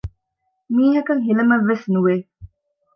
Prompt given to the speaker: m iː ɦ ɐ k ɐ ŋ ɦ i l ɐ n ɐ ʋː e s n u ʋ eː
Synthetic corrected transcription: m iː ɦ ɐ k ɐ ŋ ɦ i l ɐ m ɐ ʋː e s n u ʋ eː